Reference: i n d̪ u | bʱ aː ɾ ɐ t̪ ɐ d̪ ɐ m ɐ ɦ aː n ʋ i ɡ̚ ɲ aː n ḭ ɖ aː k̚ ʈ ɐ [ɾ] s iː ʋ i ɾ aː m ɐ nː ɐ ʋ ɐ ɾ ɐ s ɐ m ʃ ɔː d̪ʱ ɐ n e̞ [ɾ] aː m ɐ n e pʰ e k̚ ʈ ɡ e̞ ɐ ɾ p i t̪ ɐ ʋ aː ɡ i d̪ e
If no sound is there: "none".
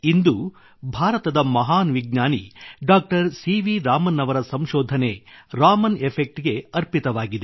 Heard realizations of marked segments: ɾ, ɾ

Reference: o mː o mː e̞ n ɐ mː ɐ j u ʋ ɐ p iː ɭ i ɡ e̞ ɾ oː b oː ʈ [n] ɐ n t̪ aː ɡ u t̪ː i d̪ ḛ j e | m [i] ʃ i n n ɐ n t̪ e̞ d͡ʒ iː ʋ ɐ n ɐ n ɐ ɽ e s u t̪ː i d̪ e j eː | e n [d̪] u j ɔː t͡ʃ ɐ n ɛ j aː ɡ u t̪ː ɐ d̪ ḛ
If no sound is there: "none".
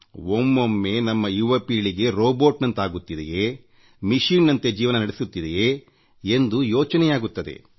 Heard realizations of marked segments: n, i, d̪

